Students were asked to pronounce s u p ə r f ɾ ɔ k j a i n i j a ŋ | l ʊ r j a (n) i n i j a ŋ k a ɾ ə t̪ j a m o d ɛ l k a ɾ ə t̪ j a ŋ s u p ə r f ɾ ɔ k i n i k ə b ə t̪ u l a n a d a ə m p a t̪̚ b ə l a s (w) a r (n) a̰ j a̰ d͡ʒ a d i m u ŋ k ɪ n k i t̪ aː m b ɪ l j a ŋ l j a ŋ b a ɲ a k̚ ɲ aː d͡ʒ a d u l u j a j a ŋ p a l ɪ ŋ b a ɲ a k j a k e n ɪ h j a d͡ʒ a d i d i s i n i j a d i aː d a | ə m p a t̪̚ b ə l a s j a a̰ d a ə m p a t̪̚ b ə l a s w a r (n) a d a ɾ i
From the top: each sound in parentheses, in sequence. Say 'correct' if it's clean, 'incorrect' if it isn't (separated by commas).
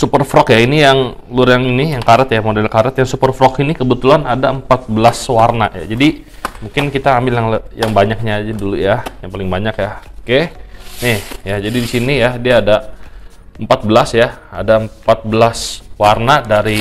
incorrect, correct, correct, correct